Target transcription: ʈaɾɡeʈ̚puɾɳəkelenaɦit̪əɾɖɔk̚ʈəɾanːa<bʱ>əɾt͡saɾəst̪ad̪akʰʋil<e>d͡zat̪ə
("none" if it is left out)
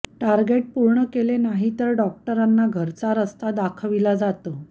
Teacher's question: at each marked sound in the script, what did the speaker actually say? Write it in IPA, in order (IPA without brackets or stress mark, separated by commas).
ɡʱ, a